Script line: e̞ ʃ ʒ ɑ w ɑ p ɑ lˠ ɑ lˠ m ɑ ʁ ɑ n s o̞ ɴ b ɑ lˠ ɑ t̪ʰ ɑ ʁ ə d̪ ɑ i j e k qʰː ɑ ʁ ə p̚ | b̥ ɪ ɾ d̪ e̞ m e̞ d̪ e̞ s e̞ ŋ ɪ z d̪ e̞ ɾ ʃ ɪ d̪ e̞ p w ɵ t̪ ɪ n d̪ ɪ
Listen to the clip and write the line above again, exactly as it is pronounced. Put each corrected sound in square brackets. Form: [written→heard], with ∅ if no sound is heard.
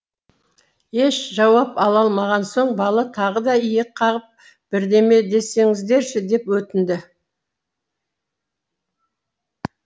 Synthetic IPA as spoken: e̞ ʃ ʒ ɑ w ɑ p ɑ lˠ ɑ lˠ m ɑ ʁ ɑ n s o̞ ɴ b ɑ lˠ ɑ t̪ʰ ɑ ʁ ə d̪ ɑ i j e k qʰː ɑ ʁ ə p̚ | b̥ ɪ ɾ d̪ e̞ m e̞ d̪ e̞ s e̞ ŋ ɪ z d̪ e̞ ɾ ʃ ɪ d̪ e̞ p w ɵ t̪ ɪ n d̪ ɪ